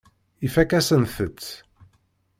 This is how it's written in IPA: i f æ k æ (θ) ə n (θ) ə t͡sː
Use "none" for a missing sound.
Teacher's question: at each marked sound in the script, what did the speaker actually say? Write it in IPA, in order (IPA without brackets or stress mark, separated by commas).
s, θ